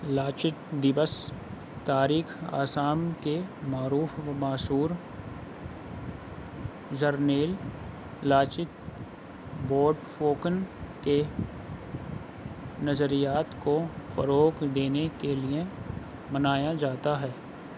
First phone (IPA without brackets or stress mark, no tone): l